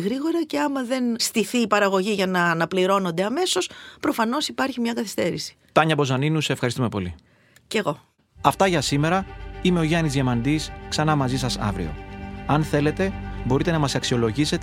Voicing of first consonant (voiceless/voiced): voiced